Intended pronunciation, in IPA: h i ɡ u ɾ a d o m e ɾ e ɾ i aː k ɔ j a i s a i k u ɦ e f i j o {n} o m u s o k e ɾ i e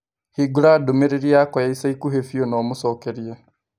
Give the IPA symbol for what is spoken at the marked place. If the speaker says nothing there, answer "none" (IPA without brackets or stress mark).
n